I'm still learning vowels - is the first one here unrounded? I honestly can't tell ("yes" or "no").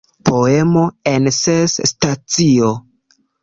no